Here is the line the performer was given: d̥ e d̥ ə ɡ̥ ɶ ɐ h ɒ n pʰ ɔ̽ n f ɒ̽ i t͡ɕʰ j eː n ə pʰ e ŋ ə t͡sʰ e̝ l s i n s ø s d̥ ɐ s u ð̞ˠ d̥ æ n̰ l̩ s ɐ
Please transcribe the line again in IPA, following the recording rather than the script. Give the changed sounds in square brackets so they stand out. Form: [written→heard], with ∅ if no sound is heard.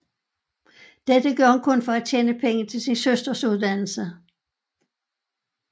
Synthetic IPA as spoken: d̥ e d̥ ə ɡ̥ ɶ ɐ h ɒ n [pʰ→kʰ] ɔ̽ n f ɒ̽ [i→æ] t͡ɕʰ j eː n ə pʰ e ŋ ə t͡sʰ e̝ l s i n s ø s d̥ ɐ s u ð̞ˠ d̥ æ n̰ l̩ s [ɐ→ə]